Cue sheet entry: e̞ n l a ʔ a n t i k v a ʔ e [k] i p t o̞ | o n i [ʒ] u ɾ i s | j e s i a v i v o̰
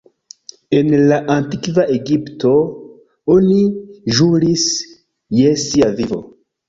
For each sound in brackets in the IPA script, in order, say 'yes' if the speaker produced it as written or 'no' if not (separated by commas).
no, yes